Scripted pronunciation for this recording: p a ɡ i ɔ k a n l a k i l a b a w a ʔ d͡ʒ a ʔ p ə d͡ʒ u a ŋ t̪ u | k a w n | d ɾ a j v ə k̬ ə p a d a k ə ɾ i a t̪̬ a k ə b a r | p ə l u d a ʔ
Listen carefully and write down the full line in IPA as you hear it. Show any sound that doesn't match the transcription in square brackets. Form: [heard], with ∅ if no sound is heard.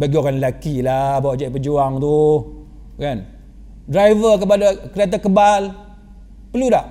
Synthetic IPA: [b] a ɡ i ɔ k a n l a k i l a b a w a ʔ d͡ʒ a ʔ p ə d͡ʒ u a ŋ t̪ u | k a [∅] n | d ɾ a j v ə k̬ ə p a d a k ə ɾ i a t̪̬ a k ə b a [l] | p ə l u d a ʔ